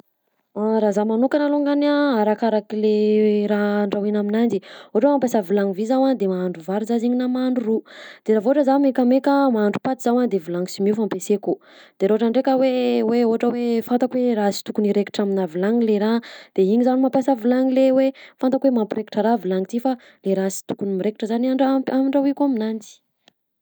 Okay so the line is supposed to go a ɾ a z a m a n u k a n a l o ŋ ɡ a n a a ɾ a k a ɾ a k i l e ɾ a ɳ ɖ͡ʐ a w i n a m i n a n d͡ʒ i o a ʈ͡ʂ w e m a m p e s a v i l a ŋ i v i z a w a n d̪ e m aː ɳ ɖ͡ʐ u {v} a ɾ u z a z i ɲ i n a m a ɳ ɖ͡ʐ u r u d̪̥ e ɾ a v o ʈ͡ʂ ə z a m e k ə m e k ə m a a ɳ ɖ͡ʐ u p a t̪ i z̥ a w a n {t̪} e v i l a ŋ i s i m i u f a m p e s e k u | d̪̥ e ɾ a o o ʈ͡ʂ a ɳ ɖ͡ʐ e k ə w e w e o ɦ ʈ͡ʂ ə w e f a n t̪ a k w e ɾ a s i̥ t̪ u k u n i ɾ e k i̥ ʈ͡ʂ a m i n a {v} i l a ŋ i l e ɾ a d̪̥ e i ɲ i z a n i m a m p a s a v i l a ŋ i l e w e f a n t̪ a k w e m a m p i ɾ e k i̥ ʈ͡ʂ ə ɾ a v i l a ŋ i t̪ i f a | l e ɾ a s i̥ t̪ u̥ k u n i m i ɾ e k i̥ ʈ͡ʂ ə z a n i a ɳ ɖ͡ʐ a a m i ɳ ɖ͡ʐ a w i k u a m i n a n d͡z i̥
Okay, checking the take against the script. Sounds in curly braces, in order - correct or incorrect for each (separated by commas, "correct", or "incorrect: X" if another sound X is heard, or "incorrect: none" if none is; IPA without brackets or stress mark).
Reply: correct, incorrect: d̪, correct